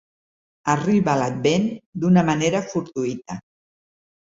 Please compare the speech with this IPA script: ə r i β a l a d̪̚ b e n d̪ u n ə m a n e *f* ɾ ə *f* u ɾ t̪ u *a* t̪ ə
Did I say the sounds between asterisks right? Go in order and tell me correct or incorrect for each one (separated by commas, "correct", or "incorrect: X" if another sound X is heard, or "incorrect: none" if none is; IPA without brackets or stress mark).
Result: incorrect: none, correct, incorrect: i